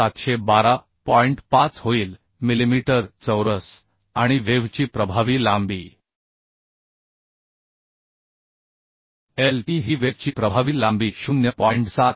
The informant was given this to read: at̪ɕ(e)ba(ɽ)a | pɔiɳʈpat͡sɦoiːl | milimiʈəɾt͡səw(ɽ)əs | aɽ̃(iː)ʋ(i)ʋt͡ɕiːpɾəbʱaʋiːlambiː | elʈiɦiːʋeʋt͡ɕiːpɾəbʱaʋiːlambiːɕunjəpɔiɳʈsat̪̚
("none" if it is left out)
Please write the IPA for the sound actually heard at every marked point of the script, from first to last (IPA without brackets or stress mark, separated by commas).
e, ɾ, ɾ, i, e